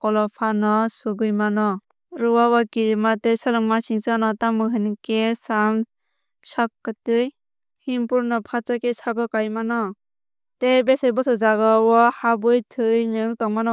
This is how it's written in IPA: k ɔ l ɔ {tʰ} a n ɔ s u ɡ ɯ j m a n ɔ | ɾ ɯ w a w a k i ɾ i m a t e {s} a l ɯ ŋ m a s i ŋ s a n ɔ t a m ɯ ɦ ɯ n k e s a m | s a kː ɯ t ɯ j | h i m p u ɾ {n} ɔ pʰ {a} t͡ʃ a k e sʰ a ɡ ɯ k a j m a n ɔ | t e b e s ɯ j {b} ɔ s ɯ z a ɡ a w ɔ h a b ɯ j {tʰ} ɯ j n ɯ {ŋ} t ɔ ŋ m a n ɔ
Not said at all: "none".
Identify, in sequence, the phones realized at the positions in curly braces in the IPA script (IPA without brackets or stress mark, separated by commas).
pʰ, s, n, a, b, tʰ, ŋ